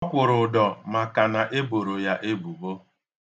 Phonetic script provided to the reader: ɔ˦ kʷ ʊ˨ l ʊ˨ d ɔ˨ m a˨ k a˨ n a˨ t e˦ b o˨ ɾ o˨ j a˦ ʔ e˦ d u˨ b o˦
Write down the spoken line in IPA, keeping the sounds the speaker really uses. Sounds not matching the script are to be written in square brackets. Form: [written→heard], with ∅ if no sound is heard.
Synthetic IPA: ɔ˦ kʷ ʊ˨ [l→ɾ] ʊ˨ d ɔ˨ m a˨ k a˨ n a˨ [t→ʔ] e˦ b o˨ ɾ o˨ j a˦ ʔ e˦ [d→b] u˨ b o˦